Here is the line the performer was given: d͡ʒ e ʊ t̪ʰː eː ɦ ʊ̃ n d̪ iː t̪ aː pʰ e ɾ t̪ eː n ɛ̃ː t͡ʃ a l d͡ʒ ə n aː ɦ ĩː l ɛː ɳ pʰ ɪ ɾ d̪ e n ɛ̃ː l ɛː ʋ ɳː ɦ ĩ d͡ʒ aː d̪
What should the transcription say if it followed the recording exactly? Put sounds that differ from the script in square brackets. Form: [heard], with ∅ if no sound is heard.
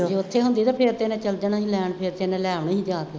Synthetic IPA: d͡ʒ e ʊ t̪ʰː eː ɦ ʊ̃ n d̪ iː t̪ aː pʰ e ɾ t̪ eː n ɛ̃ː t͡ʃ [ə] l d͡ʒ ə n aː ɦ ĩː l ɛː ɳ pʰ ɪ ɾ [t̪] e n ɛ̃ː l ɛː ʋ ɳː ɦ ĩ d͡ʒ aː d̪